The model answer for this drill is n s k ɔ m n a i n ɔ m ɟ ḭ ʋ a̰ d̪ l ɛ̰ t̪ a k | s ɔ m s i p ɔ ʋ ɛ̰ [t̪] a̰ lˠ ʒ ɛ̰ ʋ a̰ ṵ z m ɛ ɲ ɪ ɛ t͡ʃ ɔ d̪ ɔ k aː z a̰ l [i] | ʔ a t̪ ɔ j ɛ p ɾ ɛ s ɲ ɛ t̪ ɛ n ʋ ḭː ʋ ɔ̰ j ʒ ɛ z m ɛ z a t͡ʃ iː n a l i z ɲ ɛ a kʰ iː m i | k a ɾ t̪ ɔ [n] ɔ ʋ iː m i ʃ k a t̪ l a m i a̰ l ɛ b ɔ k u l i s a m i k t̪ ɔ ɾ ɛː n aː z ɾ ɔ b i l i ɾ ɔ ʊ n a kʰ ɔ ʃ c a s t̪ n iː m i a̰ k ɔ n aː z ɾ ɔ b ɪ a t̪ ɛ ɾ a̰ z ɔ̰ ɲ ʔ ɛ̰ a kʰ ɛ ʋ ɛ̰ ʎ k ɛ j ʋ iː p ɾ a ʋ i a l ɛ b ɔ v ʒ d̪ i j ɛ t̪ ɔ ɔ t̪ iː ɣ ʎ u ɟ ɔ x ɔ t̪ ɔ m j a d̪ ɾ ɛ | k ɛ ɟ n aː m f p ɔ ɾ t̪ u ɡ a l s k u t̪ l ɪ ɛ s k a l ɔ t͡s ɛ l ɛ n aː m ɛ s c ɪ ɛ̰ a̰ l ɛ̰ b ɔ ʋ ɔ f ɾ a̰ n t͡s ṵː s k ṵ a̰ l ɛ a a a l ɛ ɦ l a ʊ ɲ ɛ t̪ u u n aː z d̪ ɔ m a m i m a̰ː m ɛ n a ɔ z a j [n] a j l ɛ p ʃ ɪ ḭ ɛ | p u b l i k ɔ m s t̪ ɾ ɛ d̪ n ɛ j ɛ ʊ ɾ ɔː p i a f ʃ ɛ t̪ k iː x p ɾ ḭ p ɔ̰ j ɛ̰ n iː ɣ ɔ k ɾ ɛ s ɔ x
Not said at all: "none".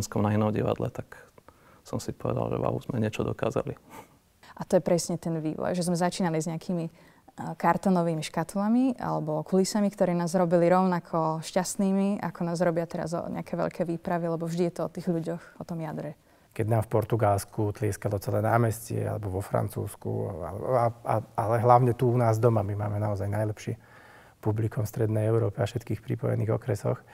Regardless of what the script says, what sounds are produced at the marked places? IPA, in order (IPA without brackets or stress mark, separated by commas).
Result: d̪, i, n, n